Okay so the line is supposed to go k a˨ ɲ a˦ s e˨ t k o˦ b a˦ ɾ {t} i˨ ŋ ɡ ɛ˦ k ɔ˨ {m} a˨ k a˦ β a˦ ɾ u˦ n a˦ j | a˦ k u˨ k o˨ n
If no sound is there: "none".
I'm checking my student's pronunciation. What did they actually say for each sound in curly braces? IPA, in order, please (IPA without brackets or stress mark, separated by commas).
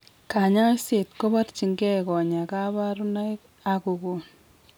t͡ʃ, ɲ